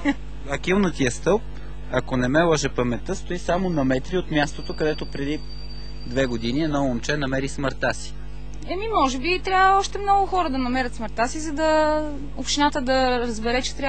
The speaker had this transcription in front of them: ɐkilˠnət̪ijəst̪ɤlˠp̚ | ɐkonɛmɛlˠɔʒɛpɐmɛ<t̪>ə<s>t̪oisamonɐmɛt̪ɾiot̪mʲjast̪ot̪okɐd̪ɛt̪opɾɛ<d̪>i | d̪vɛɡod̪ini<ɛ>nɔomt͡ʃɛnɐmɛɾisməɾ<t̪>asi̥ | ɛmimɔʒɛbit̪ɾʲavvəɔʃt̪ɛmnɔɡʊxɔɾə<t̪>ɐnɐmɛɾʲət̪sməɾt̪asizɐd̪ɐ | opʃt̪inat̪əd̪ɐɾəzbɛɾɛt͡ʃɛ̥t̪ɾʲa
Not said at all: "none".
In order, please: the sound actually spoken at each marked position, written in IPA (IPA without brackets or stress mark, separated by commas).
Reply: t̪, s, d̪, ɛ, t̪, d̪